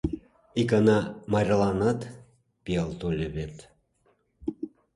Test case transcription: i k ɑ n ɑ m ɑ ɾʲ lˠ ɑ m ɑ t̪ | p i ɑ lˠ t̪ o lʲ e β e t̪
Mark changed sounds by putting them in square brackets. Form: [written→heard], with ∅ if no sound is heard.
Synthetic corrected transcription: i k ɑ n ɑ m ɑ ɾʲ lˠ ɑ [m→n] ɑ t̪ | p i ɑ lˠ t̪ o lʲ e β e t̪